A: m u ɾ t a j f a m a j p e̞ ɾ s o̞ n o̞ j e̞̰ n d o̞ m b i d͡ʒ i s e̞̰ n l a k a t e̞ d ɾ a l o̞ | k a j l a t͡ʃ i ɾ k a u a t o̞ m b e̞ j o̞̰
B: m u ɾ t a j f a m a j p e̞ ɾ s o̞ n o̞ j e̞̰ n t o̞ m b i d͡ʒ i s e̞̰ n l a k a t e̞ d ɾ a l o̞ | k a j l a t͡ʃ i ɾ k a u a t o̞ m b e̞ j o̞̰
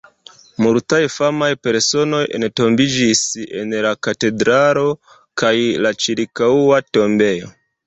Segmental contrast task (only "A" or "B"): B